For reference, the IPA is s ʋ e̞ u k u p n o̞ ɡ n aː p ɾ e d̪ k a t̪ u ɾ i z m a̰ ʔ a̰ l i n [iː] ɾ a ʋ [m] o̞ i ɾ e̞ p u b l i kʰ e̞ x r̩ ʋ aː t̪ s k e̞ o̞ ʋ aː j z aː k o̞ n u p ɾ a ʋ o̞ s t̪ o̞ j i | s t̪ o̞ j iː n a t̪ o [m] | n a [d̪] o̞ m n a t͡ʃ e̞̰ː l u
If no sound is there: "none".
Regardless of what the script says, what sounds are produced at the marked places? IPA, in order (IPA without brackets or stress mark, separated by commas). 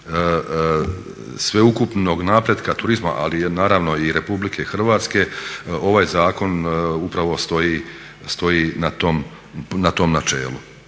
aː, n, m, t̪